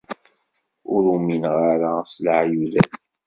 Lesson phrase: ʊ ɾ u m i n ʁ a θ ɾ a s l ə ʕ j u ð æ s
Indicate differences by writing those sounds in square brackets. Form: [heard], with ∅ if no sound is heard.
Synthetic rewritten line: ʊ ɾ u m i n ʁ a [∅] ɾ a s l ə ʕ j u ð æ [θ]